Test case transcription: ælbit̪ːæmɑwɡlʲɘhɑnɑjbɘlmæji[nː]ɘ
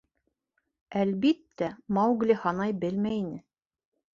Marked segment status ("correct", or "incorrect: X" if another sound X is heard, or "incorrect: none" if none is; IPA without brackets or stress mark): incorrect: n